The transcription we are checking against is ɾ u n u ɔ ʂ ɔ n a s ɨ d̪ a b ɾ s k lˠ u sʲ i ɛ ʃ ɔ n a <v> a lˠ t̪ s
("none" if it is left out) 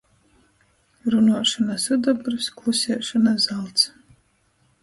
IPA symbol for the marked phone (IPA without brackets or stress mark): z